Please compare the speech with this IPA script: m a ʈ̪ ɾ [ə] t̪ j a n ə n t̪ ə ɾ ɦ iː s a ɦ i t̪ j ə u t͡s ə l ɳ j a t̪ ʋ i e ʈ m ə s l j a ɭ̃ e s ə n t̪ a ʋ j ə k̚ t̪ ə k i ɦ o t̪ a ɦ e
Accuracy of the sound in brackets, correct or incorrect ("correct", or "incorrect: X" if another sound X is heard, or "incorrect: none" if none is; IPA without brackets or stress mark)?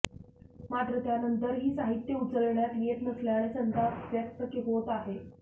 correct